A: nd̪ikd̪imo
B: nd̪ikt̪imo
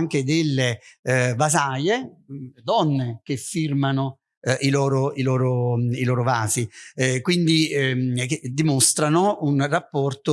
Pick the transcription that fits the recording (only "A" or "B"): A